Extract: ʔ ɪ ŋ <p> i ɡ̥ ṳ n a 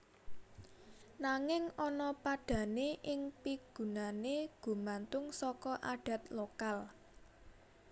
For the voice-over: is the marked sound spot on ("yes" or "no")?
yes